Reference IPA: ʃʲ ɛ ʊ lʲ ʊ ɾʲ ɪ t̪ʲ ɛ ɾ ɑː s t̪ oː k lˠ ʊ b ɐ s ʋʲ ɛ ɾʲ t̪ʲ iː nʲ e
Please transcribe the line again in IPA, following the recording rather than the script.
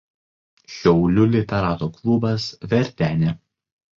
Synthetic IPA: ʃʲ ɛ ʊ lʲ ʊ lʲ ɪ t̪ʲ ɛ ɾ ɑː t̪ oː k lˠ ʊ b ɐ s ʋʲ ɛ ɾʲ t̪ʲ æː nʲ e